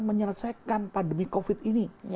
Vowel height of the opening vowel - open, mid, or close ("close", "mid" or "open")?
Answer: mid